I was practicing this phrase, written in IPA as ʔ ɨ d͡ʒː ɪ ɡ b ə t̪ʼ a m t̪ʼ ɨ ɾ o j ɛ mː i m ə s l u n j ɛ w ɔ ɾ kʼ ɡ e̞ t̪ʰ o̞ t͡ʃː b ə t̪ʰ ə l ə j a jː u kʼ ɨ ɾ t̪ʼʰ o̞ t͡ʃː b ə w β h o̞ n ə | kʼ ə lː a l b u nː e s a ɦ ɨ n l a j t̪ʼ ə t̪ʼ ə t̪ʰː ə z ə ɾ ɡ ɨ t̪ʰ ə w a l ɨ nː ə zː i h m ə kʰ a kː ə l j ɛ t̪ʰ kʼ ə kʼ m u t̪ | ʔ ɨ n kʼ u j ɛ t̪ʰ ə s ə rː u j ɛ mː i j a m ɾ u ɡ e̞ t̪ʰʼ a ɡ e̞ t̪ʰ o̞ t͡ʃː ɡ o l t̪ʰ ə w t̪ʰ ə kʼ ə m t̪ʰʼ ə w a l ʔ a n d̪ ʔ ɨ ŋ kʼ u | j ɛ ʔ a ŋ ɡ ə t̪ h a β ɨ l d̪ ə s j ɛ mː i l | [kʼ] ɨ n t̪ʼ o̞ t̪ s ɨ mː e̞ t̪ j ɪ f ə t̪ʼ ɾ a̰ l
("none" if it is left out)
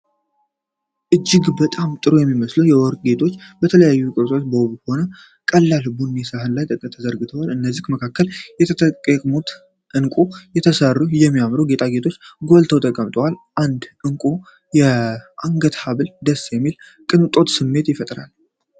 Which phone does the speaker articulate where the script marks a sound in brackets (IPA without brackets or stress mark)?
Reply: kʼ